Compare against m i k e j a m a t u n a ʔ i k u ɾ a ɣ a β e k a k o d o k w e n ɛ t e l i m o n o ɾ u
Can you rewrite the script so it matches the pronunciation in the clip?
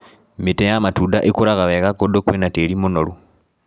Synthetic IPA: m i t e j a m a t u d a ʔ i k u ɾ a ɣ a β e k a k o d o k w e n a t e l i m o n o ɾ u